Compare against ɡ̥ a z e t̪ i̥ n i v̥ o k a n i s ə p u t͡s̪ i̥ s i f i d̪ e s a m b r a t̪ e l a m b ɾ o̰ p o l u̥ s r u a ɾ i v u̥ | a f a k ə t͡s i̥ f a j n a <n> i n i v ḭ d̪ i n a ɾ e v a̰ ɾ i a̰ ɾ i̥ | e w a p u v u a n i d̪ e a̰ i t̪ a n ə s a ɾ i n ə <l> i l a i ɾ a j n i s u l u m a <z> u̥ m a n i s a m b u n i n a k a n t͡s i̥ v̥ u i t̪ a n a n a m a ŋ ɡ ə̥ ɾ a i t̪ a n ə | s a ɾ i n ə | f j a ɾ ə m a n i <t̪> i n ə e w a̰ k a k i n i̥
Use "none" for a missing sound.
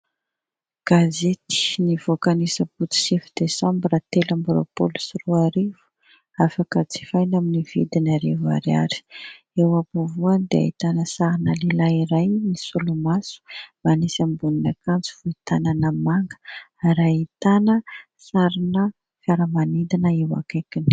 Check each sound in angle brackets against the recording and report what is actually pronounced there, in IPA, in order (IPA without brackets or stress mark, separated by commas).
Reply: m, l, s, d̪